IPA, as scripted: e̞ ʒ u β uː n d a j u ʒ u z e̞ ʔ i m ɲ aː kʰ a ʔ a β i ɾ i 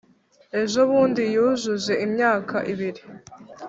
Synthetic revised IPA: e̞ ʒ o β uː n d i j u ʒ u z e̞ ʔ i m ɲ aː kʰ a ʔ i β i ɾ i